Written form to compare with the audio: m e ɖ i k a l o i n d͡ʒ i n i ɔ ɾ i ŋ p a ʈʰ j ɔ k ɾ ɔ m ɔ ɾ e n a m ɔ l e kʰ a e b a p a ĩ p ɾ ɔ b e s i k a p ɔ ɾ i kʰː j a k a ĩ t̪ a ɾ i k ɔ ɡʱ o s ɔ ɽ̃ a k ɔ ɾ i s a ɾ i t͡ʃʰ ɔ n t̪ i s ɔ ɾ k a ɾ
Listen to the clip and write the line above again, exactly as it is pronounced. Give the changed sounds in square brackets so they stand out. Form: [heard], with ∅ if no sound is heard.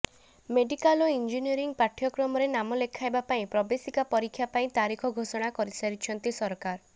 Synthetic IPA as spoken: m e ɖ i k a l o i n d͡ʒ i n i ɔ ɾ i ŋ p a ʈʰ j ɔ k ɾ ɔ m ɔ ɾ e n a m ɔ l e kʰ a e b a p a ĩ p ɾ ɔ b e s i k a p ɔ ɾ i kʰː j a [p] a ĩ t̪ a ɾ i [kʰ] ɔ ɡʱ o s ɔ ɽ̃ a k ɔ ɾ i s a ɾ i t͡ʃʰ ɔ n t̪ i s ɔ ɾ k a ɾ

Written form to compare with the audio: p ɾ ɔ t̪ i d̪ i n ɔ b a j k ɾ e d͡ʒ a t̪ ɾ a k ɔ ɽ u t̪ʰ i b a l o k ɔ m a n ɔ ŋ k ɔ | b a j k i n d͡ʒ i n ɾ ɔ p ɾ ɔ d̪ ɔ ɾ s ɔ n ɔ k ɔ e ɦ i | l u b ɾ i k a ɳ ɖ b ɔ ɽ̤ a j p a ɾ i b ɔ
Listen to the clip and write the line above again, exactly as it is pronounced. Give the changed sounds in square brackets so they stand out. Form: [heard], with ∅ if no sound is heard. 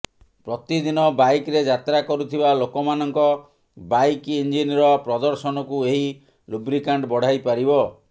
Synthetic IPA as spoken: p ɾ ɔ t̪ i d̪ i n ɔ b a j k ɾ e d͡ʒ a t̪ ɾ a k ɔ [ɾ] u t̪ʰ i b a l o k ɔ m a n ɔ ŋ k ɔ | b a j k i n d͡ʒ i n ɾ ɔ p ɾ ɔ d̪ ɔ ɾ s ɔ n ɔ k [u] e ɦ i | l u b ɾ i k a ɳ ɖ b ɔ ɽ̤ a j p a ɾ i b ɔ

